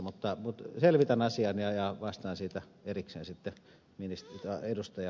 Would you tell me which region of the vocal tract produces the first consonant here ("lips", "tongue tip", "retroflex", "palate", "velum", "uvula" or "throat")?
lips